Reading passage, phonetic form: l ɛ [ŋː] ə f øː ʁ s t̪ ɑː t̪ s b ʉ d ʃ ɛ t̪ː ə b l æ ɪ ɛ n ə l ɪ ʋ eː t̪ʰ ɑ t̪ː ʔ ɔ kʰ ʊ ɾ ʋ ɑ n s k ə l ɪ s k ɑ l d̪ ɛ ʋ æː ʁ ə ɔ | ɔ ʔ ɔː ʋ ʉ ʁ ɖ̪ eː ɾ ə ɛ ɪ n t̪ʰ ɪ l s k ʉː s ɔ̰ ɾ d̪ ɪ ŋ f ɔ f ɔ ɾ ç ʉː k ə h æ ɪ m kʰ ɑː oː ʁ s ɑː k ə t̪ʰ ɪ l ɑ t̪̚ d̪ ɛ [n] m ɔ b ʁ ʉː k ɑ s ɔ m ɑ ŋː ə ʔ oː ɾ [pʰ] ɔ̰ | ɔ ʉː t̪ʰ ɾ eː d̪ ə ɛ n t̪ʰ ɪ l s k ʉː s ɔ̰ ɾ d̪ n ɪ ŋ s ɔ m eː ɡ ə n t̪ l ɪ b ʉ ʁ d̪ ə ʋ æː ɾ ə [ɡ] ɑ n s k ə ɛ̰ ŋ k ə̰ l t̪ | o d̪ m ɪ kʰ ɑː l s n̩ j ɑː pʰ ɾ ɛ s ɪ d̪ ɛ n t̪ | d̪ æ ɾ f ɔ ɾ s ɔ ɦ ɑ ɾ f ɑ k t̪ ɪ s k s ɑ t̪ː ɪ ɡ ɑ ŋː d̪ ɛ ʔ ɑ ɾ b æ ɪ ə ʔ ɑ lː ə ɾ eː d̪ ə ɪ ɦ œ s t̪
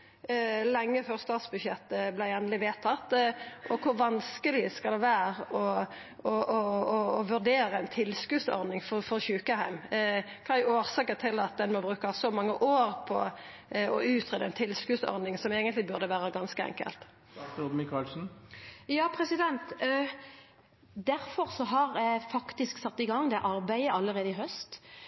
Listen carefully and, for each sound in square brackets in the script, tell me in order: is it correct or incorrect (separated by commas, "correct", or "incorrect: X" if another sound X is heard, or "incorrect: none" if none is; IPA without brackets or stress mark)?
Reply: correct, correct, correct, correct